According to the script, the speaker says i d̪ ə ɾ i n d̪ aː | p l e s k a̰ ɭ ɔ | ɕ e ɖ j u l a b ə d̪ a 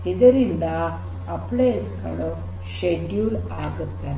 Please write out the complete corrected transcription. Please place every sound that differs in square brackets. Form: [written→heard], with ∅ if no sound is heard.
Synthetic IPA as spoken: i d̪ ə ɾ i n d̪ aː | p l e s k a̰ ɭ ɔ | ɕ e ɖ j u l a [b→ɡ] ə [d̪→t̪] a

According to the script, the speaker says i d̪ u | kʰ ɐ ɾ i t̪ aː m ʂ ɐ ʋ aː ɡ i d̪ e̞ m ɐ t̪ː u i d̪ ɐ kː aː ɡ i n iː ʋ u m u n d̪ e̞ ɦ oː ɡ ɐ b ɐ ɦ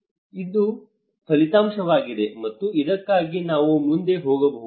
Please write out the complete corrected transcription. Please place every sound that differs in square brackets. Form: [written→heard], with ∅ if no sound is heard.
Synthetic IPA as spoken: i d̪ u | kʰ ɐ [ɾ→l] i t̪ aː m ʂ ɐ ʋ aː ɡ i d̪ e̞ m ɐ t̪ː u i d̪ ɐ kː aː ɡ i n [iː→aː] ʋ u m u n d̪ e̞ ɦ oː ɡ ɐ b ɐ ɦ

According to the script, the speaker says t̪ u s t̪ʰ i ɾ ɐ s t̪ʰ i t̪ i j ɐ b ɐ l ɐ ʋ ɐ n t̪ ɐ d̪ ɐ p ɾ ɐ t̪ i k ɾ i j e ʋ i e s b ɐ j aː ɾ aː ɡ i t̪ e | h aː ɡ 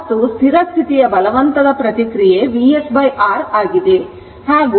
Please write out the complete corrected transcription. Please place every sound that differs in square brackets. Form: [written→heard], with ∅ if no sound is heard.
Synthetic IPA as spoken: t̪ u s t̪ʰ i ɾ ɐ s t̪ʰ i t̪ i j ɐ b ɐ l ɐ ʋ ɐ n t̪ ɐ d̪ ɐ p ɾ ɐ t̪ i k ɾ i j e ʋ i e s b ɐ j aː ɾ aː ɡ i [t̪→d̪] e | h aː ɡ

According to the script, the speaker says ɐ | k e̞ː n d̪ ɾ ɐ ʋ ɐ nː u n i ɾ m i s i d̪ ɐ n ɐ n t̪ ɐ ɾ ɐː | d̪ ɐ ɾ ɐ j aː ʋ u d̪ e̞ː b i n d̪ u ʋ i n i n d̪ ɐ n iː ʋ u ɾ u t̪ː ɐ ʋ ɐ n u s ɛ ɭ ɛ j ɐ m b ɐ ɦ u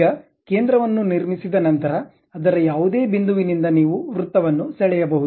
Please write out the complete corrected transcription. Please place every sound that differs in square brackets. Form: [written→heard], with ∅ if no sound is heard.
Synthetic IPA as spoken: ɐ | k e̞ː n d̪ ɾ ɐ ʋ ɐ nː u n i ɾ m i s i d̪ ɐ n ɐ n t̪ ɐ ɾ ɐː | d̪ ɐ ɾ ɐ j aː ʋ u d̪ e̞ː b i n d̪ u ʋ i n i n d̪ ɐ n iː ʋ u ɾ u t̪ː ɐ ʋ ɐ [n→nː] u s ɛ ɭ ɛ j ɐ [m→∅] b ɐ ɦ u

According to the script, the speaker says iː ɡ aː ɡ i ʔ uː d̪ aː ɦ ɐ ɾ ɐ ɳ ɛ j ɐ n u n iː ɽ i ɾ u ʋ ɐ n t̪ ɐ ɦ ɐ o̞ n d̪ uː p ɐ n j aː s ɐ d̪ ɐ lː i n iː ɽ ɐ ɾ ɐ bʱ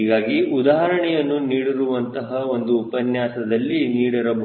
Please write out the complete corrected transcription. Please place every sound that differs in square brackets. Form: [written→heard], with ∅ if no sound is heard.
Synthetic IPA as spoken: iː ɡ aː ɡ i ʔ [uː→u] d̪ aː ɦ ɐ ɾ ɐ ɳ ɛ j ɐ [n→nː] u n iː ɽ i ɾ u ʋ ɐ n t̪ ɐ ɦ ɐ o̞ n d̪ uː p ɐ n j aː s ɐ d̪ ɐ lː i n iː ɽ ɐ ɾ ɐ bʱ

